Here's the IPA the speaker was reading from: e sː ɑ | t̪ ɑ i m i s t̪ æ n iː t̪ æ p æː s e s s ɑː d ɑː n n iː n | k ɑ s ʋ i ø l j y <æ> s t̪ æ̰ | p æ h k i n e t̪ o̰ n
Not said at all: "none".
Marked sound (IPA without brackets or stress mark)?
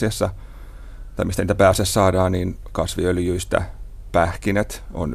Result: i